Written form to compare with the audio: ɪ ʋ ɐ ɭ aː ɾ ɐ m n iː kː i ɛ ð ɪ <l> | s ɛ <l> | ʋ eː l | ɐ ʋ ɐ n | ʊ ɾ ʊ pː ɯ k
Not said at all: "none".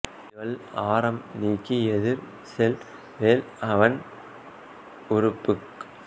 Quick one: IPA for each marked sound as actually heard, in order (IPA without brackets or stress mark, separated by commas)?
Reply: ɾ, l